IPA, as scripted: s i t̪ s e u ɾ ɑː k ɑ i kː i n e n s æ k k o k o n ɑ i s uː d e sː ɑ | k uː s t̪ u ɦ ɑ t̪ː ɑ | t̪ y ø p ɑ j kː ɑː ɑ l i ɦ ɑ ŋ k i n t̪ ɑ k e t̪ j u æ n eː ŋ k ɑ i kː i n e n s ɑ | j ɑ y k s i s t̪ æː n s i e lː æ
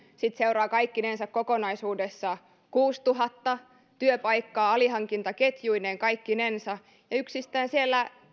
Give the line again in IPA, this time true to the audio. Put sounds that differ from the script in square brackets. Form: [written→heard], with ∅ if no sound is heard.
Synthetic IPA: s i t̪ s e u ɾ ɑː k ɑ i kː i n e n s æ k k o k o n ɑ i s uː d e sː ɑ | k uː s t̪ u ɦ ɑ t̪ː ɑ | t̪ y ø p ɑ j kː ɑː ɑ l i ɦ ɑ ŋ k i n t̪ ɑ k e t̪ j u [æ→i] n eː ŋ k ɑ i kː i n e n s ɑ | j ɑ y k s i s t̪ æː n s i e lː æ